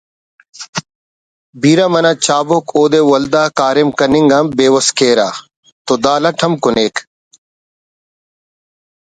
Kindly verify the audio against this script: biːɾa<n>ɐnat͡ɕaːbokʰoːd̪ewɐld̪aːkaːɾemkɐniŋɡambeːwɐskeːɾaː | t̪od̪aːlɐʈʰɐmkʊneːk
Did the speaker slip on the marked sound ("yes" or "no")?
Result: yes